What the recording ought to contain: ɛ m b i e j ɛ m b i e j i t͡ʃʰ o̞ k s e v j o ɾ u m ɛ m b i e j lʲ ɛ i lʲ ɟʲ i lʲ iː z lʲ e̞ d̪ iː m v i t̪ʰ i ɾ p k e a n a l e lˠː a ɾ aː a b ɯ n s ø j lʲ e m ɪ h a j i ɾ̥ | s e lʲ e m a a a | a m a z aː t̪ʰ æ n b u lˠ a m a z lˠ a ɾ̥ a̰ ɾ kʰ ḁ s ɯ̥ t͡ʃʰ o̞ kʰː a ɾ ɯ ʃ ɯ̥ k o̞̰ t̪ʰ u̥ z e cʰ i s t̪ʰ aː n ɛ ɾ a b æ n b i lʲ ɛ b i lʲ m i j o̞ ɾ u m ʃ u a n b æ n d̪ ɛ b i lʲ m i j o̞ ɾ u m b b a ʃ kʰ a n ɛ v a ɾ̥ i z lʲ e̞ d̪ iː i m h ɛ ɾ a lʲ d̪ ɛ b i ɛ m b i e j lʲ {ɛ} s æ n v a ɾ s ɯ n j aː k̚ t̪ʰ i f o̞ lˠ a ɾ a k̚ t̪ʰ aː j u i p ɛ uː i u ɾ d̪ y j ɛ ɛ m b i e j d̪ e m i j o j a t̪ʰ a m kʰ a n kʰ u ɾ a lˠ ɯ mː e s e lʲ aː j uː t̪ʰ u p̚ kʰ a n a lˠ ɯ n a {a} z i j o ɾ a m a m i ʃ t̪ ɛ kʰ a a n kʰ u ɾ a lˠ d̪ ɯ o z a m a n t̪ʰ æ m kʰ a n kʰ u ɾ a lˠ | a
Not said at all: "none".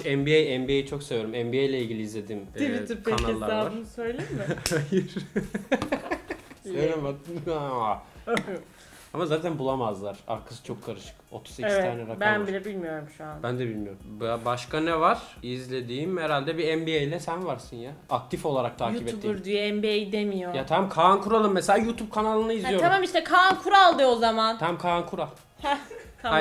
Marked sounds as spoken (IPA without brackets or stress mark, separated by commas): ɛ, i